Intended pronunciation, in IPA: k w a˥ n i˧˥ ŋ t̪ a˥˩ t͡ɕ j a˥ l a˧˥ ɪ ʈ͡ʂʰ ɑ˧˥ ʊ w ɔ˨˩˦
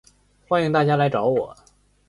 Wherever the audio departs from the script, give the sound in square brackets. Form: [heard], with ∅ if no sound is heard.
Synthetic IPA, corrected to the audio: [x] w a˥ n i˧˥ ŋ t̪ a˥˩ t͡ɕ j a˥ l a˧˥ ɪ [ʈ͡ʂ] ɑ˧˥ ʊ w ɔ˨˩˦